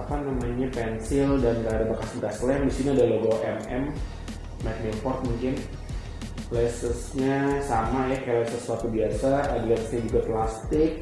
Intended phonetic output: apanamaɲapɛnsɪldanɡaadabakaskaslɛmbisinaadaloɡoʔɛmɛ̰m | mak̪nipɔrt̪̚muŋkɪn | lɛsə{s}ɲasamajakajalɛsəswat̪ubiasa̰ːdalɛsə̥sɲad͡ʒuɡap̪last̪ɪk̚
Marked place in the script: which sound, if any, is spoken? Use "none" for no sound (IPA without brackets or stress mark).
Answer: s